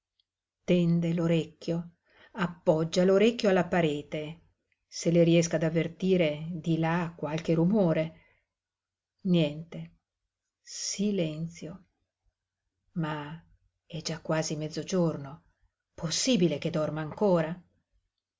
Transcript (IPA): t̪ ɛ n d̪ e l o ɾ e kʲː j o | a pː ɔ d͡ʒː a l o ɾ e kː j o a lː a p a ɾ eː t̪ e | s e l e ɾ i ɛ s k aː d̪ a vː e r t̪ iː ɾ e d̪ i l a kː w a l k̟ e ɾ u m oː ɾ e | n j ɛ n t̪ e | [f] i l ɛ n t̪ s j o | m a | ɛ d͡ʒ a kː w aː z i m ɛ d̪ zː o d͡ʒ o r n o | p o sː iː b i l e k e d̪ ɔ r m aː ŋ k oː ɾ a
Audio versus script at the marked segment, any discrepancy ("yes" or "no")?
yes